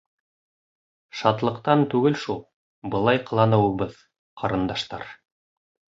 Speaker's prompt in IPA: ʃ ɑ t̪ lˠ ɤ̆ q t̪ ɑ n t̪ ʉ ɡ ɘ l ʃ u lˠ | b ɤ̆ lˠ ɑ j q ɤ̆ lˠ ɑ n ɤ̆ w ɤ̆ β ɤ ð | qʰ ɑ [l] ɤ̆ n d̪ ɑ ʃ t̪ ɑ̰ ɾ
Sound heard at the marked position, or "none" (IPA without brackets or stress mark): ɾ